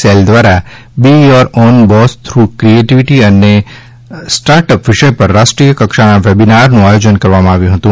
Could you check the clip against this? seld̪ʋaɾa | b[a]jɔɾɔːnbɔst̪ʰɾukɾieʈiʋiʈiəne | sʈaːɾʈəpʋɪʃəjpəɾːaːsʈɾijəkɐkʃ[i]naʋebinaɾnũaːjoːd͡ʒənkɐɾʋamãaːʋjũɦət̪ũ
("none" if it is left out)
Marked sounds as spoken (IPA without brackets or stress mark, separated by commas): i, a